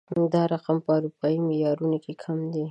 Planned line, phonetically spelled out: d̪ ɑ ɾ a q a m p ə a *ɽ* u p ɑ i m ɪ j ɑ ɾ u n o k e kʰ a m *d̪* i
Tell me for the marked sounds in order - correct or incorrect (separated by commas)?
incorrect, correct